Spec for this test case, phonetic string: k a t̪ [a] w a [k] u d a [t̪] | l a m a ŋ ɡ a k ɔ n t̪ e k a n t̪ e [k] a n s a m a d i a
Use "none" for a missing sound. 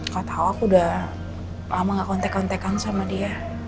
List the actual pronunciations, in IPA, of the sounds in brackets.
a, k, none, k

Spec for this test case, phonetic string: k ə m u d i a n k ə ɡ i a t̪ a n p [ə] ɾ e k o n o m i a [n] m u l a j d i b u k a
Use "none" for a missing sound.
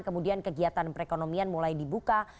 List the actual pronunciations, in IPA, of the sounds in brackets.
ə, n

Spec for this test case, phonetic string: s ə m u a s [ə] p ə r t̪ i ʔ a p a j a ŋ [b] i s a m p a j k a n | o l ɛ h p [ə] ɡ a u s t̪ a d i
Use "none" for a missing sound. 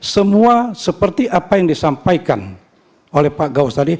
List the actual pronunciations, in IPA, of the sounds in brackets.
ə, d, a

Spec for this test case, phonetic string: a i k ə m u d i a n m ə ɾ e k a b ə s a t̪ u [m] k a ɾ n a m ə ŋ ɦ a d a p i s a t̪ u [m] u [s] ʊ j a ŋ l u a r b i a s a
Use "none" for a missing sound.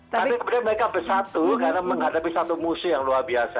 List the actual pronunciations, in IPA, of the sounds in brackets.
none, m, s

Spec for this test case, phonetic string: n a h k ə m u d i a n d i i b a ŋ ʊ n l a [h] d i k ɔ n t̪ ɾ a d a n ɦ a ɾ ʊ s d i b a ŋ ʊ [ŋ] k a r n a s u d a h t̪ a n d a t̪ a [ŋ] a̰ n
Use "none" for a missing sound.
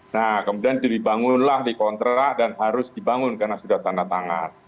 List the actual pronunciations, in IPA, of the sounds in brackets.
h, n, ŋ

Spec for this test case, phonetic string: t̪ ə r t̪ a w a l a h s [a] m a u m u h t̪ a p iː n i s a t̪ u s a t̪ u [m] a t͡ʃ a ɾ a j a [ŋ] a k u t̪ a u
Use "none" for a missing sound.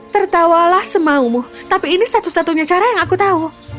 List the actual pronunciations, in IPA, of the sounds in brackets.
ə, ɲ, ŋ

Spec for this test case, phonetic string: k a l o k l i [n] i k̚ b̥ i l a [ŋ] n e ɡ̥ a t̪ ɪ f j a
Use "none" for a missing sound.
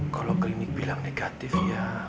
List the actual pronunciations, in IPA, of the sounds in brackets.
n, ŋ

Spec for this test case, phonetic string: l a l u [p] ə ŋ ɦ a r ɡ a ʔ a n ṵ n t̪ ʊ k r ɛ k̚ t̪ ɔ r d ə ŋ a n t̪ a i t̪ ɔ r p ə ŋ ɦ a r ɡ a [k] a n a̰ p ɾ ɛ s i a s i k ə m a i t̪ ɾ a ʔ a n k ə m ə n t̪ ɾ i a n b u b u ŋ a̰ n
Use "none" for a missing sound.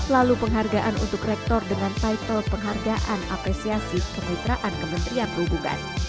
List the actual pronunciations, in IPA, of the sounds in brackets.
p, ʔ

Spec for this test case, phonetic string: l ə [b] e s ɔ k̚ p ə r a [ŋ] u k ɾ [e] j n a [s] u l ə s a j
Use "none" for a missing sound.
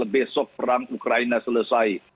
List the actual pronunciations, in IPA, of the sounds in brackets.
b, ŋ, a, s

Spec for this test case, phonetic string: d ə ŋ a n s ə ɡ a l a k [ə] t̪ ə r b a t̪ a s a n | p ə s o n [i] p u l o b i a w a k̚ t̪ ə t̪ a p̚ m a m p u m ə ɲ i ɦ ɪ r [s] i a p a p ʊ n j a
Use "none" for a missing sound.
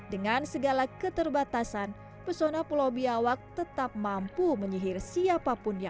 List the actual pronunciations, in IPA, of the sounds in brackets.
ə, a, s

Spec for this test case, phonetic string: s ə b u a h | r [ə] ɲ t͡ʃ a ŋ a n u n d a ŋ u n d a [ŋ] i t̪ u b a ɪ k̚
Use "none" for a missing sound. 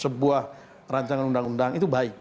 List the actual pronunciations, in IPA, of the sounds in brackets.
a, ŋ

